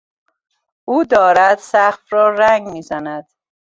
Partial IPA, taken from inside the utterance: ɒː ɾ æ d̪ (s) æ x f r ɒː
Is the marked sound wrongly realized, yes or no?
no